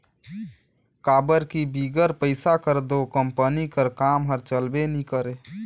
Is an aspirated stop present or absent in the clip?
absent